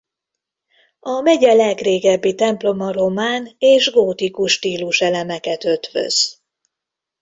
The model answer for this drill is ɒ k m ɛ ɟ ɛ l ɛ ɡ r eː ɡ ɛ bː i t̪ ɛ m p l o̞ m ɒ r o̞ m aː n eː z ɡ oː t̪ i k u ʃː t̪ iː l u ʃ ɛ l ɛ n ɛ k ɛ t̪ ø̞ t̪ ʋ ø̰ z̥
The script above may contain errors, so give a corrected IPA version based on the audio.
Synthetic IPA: ɒ m ɛ ɟ ɛ l ɛ ɡ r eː ɡ ɛ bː i t̪ ɛ m p l o̞ m ɒ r o̞ m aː n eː ʒ ɡ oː t̪ i k u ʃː t̪ iː l u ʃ ɛ l ɛ m ɛ k ɛ t̪ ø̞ t̪ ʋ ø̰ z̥